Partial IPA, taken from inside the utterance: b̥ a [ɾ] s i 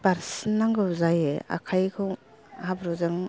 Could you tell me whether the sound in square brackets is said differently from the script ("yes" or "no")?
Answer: no